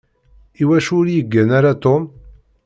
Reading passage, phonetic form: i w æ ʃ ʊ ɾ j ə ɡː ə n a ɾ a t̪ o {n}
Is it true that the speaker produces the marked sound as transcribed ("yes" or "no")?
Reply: no